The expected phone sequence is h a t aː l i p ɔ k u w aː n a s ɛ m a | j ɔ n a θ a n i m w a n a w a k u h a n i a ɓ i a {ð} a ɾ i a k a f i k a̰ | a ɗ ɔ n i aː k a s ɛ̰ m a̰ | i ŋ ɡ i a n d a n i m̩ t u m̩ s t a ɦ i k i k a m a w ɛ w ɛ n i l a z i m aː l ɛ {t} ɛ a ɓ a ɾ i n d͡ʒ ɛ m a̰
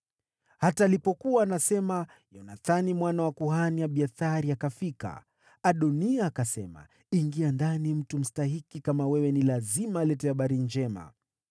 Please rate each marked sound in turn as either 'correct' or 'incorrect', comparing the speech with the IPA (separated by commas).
incorrect, correct